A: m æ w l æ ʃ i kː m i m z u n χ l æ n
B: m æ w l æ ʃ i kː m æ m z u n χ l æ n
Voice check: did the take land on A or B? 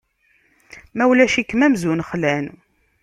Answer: B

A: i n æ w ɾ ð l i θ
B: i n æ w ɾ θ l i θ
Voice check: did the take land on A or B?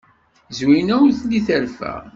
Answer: B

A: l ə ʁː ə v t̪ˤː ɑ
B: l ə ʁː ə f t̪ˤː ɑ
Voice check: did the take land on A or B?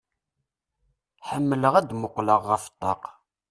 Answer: B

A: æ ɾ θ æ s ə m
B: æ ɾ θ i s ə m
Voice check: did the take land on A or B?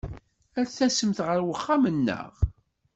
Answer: A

